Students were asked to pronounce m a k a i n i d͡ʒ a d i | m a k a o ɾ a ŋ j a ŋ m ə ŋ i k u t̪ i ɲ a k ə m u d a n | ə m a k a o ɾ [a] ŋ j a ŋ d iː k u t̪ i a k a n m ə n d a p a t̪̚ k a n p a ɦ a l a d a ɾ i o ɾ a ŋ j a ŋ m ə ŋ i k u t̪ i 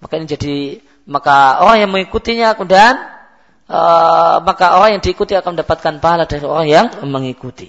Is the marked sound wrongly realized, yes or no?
no